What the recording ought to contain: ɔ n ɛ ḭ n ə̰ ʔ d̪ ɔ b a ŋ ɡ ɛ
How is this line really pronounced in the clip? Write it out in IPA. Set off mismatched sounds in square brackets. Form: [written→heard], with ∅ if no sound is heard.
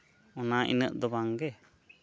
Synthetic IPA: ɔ n [ɛ→a] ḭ n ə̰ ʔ d̪ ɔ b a ŋ ɡ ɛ